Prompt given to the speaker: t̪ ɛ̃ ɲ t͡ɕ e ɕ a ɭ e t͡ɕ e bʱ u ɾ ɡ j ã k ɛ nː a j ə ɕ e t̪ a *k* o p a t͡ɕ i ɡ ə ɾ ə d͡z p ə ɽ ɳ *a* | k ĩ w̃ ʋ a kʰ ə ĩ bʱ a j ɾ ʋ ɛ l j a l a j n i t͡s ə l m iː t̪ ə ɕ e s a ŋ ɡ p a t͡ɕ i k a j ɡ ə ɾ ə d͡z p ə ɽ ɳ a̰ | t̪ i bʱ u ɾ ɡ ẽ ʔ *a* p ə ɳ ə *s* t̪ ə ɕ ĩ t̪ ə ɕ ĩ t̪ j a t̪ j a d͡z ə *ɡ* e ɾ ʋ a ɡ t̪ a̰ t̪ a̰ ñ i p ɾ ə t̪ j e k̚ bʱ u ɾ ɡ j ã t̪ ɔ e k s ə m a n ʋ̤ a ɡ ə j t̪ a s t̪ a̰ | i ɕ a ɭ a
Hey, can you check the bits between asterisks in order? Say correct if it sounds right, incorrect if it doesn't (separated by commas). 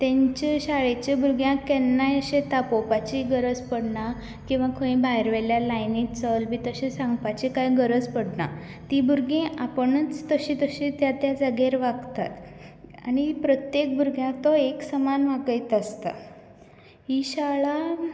incorrect, correct, correct, incorrect, correct